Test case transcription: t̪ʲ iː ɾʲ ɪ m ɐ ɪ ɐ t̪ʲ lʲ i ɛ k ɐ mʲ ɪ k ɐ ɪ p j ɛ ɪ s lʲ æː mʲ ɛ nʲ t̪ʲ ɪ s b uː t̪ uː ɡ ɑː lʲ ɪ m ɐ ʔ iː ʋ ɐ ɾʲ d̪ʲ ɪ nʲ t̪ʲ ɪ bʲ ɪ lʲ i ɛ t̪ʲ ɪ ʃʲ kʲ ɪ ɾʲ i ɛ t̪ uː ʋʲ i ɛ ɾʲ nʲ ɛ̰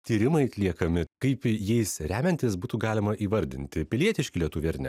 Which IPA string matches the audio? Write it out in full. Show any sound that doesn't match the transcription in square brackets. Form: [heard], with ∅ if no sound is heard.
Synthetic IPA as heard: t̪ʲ iː ɾʲ ɪ m ɐ ɪ ɐ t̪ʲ lʲ i ɛ k ɐ mʲ ɪ k ɐ ɪ p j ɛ ɪ s [ɾʲ] æː mʲ ɛ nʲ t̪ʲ ɪ s b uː t̪ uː ɡ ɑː lʲ ɪ m ɐ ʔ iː ʋ ɐ ɾʲ d̪ʲ ɪ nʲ t̪ʲ ɪ [pʲ] ɪ lʲ i ɛ t̪ʲ ɪ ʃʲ kʲ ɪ [lʲ] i ɛ t̪ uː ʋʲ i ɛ ɾʲ nʲ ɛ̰

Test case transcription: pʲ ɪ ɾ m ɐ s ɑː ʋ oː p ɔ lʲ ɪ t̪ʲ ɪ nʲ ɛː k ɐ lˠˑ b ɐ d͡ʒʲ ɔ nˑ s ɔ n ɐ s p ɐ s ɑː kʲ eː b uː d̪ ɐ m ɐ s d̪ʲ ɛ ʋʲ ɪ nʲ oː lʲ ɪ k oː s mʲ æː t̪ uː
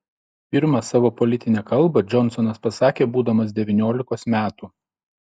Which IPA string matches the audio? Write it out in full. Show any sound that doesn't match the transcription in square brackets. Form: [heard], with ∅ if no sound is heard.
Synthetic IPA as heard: pʲ ɪ ɾ m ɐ s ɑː ʋ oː p ɔ lʲ ɪ t̪ʲ ɪ nʲ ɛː k ɐ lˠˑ b ɐ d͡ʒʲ ɔ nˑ s ɔ n ɐ s p ɐ s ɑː kʲ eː b uː d̪ ɐ m ɐ s d̪ʲ ɛ ʋʲ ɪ nʲ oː lʲ ɪ k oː s mʲ æː t̪ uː

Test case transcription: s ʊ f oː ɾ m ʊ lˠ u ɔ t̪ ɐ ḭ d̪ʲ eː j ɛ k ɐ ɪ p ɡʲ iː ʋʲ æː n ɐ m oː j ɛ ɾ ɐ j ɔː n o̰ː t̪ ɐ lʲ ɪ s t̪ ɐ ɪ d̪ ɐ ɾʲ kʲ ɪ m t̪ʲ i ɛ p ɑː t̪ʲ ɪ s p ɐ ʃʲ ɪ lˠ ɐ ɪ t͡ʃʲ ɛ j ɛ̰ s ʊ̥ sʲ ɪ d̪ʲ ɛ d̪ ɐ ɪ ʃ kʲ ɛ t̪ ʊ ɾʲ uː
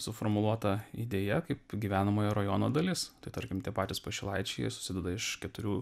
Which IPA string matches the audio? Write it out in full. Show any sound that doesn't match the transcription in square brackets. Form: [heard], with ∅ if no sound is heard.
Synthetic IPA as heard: s ʊ f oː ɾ m ʊ lˠ u ɔ t̪ ɐ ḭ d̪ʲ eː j ɛ k ɐ ɪ p ɡʲ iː ʋʲ æː n ɐ m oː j ɛ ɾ ɐ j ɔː n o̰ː [d̪] ɐ lʲ ɪ s t̪ ɐ ɪ [t̪] ɐ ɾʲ kʲ ɪ m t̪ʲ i ɛ p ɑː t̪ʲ ɪ s p ɐ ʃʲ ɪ lˠ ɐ ɪ t͡ʃʲ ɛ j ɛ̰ s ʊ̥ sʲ ɪ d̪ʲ ɛ d̪ ɐ ɪ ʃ kʲ ɛ t̪ ʊ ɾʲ uː

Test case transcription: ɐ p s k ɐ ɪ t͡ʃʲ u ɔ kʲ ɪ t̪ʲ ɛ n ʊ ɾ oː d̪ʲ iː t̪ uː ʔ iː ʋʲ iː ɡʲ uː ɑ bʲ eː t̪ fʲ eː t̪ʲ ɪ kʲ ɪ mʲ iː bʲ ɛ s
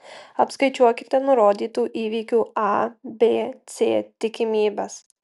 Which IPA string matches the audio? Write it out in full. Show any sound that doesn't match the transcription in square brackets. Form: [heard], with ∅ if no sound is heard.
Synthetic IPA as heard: ɐ p s k ɐ ɪ t͡ʃʲ u ɔ kʲ ɪ t̪ʲ ɛ n ʊ ɾ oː d̪ʲ iː t̪ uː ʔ iː ʋʲ iː [kʲ] uː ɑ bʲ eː t̪ [sʲ] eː t̪ʲ ɪ kʲ ɪ mʲ iː bʲ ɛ s

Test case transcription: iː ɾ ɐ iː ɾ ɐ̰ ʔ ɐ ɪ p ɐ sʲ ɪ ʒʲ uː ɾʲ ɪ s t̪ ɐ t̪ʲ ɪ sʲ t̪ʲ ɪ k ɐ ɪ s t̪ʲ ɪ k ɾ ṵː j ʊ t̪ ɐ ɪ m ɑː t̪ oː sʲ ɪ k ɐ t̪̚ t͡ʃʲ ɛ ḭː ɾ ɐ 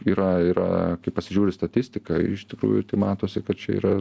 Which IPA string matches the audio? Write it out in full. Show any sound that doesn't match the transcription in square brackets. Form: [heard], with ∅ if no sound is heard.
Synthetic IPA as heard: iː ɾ ɐ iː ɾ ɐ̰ [k] ɐ ɪ p ɐ sʲ ɪ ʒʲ uː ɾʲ ɪ s t̪ ɐ t̪ʲ ɪ sʲ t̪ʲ ɪ k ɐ ɪ [ʃ] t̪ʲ ɪ k ɾ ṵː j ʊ t̪ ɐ ɪ m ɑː t̪ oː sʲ ɪ k ɐ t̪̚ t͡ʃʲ ɛ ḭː ɾ ɐ

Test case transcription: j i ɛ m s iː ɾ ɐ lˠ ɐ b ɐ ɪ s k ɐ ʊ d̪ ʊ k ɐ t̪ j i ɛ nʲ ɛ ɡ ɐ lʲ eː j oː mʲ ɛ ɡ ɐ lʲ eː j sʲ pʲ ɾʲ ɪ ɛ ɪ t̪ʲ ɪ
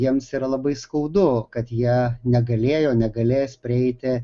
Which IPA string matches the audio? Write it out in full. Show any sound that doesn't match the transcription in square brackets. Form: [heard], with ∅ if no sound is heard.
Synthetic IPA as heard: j i ɛ m s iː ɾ ɐ lˠ ɐ b ɐ ɪ s k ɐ ʊ d̪ ʊ k ɐ t̪ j i ɛ nʲ ɛ ɡ ɐ lʲ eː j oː [nʲ] ɛ ɡ ɐ lʲ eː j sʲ pʲ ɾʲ ɪ ɛ ɪ t̪ʲ ɪ

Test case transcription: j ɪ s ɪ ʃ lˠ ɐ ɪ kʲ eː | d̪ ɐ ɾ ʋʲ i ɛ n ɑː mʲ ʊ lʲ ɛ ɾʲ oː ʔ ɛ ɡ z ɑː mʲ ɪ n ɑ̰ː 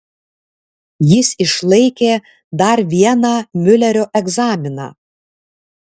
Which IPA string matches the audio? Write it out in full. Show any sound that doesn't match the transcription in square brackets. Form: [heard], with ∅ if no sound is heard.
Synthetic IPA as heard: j ɪ s ɪ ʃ lˠ ɐ ɪ kʲ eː | d̪ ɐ ɾ ʋʲ i ɛ n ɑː mʲ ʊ lʲ ɛ ɾʲ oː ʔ ɛ ɡ z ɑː mʲ ɪ n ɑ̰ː

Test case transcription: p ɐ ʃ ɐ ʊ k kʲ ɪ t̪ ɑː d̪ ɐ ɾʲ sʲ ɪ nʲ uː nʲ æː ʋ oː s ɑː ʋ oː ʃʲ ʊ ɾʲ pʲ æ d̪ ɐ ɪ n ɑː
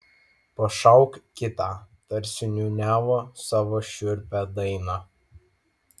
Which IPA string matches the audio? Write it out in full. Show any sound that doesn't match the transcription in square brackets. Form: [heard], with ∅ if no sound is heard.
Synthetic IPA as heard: p ɐ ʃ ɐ ʊ k kʲ ɪ t̪ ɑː [t̪] ɐ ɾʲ sʲ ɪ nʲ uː nʲ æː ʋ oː s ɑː ʋ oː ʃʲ ʊ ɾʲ pʲ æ d̪ ɐ ɪ n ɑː

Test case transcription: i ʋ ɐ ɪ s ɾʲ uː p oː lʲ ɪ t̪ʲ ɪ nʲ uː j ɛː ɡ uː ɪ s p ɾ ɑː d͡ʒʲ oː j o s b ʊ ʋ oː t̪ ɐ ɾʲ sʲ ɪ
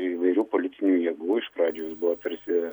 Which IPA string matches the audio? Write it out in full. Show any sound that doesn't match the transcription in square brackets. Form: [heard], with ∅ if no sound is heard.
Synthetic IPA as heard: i ʋ ɐ ɪ [∅] ɾʲ uː p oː lʲ ɪ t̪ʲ ɪ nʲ uː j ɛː ɡ uː ɪ [ʃ] p ɾ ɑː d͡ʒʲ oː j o s b ʊ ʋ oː t̪ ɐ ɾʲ sʲ ɪ

